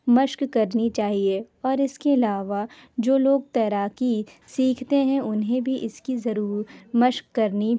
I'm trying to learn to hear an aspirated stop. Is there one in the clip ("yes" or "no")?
yes